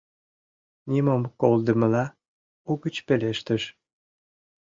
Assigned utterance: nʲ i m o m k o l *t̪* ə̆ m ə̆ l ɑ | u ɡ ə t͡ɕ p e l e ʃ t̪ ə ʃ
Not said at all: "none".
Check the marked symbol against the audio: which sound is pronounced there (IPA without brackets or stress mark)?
d̪